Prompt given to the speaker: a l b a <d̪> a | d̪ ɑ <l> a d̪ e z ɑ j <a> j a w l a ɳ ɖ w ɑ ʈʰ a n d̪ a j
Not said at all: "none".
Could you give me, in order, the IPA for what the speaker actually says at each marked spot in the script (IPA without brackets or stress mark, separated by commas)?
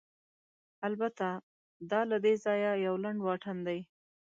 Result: t̪, l, a